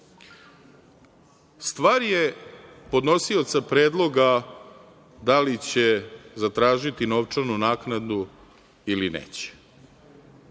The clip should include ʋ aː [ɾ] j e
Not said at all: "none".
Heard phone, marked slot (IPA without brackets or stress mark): ɾ